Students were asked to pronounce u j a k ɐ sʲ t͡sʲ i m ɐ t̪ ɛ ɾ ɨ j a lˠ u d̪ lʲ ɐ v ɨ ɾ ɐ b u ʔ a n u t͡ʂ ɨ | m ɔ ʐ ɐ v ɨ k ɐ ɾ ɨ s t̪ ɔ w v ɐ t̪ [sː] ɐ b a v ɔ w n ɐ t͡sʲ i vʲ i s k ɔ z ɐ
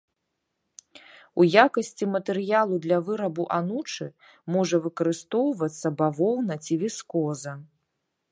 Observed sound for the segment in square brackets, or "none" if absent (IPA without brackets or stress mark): sː